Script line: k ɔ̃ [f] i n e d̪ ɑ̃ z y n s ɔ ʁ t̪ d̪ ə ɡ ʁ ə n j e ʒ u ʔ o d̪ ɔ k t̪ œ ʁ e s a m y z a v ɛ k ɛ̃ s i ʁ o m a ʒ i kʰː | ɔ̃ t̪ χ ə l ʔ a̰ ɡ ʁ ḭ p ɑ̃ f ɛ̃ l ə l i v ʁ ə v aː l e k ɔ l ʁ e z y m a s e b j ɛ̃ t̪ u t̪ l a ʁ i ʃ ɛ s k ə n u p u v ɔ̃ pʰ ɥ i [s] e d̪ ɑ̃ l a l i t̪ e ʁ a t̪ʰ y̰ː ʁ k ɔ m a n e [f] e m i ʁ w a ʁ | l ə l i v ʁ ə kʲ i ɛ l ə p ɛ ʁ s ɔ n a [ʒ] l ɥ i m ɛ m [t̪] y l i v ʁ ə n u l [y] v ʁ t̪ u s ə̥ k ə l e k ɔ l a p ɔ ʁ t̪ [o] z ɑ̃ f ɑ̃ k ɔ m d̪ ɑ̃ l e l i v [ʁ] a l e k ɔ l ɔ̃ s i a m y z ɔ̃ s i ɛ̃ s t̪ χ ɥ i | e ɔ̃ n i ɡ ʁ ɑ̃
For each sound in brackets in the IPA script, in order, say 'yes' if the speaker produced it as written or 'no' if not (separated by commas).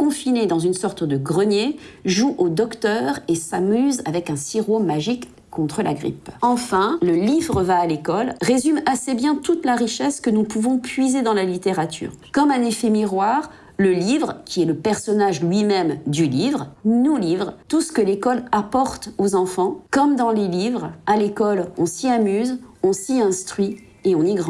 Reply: yes, no, yes, yes, no, no, yes, yes